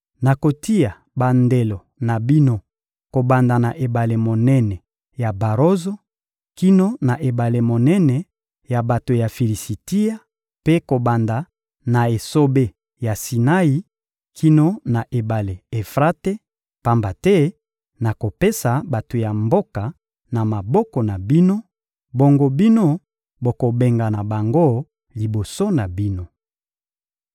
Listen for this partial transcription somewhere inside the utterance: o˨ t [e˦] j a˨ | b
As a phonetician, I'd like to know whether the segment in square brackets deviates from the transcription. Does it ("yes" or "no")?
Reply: yes